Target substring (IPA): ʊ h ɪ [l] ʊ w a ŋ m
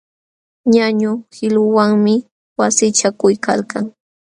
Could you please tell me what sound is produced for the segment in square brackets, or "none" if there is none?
l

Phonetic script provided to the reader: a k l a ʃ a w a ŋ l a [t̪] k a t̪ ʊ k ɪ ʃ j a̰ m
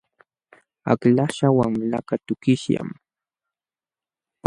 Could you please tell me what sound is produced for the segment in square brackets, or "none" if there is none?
none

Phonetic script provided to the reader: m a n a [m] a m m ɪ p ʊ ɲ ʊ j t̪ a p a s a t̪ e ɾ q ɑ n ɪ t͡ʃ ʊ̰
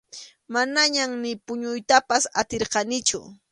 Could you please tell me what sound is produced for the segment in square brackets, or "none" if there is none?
ɲ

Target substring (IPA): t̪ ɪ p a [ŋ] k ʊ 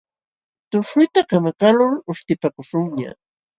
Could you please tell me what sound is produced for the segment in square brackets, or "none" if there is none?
none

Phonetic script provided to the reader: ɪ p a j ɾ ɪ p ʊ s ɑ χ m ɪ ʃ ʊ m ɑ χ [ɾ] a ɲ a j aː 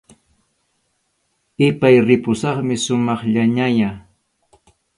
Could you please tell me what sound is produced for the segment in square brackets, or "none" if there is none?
ʎ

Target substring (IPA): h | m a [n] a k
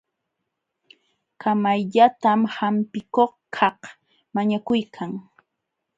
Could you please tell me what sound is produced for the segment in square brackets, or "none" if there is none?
ɲ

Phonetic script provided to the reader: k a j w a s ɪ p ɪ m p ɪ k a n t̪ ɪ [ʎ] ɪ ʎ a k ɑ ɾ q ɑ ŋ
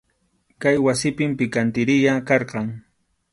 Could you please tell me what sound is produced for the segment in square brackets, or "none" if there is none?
ɾ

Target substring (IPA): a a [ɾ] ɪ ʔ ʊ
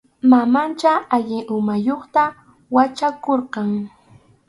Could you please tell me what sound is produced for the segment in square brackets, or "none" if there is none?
ʎ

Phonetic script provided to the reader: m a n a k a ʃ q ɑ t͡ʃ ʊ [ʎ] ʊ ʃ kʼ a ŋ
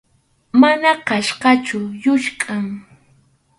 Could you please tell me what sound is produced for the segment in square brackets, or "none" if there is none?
j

